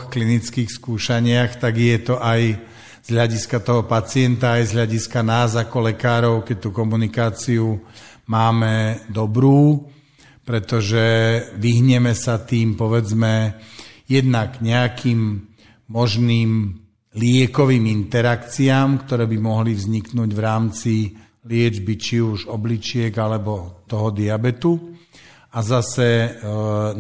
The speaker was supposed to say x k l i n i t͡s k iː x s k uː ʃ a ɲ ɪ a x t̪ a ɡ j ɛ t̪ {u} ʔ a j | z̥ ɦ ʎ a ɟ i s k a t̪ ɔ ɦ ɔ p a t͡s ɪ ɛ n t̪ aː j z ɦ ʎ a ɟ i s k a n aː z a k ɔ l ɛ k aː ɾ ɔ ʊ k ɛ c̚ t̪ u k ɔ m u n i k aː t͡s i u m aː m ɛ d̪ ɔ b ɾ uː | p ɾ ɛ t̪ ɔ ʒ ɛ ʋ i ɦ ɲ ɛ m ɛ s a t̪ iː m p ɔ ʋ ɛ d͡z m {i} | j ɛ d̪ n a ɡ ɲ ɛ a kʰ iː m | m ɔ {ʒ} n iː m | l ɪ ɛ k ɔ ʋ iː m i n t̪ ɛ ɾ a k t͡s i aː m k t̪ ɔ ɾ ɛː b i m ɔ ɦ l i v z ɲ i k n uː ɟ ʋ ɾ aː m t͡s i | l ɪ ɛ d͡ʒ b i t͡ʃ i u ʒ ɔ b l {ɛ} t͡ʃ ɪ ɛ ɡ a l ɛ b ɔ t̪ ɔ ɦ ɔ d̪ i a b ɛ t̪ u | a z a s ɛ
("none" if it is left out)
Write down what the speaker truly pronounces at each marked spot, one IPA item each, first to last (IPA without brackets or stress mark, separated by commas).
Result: ɔ, ɛ, ʒ, i